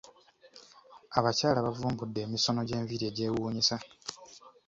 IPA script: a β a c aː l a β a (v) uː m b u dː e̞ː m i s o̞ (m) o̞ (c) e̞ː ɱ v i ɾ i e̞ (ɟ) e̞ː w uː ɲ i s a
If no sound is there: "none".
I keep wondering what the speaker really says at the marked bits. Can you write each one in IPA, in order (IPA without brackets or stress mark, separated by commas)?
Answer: v, n, ɟ, ɟ